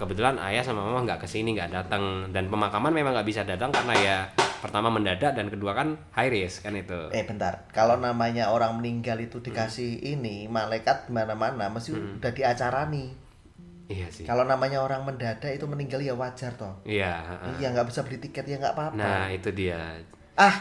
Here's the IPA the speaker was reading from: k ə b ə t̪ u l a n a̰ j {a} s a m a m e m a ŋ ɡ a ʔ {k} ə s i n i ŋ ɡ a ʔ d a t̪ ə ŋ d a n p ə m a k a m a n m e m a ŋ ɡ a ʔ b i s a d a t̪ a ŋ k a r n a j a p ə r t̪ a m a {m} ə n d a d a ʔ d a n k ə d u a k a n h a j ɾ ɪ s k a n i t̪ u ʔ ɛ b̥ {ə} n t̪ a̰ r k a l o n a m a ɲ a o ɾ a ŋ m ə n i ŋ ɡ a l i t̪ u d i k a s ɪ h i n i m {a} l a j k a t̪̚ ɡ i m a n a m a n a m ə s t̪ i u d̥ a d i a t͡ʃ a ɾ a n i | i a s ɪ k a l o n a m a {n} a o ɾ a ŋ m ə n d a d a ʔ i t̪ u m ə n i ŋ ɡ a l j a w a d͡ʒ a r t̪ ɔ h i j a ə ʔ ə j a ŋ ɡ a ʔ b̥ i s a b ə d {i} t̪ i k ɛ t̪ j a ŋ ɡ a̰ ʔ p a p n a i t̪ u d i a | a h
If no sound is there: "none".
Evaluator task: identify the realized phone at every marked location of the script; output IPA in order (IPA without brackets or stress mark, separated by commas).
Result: a, k, m, ə, a, ɲ, i